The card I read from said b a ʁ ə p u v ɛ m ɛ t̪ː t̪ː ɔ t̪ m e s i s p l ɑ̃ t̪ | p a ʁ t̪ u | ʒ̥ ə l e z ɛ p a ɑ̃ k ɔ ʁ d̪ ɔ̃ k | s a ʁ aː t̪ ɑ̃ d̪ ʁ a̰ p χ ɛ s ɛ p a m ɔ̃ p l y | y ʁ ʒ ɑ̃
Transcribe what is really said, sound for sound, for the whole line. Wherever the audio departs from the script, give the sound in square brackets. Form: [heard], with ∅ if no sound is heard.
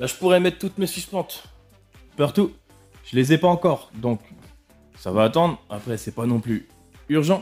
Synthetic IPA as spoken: b a [ʒ] ə p u [ʁ] ɛ m ɛ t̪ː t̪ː [u] t̪ m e s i s p l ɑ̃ t̪ | p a ʁ t̪ u | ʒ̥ ə l e z ɛ p a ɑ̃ k ɔ ʁ d̪ ɔ̃ k | s a [v] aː t̪ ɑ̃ d̪ ʁ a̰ p χ ɛ s ɛ p a [n] ɔ̃ p l y | y ʁ ʒ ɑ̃